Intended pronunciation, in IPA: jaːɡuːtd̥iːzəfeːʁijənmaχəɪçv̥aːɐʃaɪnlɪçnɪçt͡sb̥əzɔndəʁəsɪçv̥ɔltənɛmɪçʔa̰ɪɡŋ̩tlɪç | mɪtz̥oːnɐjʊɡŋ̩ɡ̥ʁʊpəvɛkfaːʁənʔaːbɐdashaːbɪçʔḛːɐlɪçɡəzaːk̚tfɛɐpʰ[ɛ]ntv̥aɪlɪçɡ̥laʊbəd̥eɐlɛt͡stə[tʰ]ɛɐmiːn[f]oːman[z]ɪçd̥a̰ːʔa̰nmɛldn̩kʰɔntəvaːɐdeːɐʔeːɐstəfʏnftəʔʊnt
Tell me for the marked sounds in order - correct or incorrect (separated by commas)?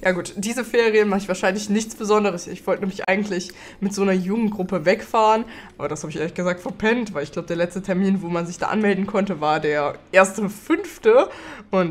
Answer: correct, correct, incorrect, correct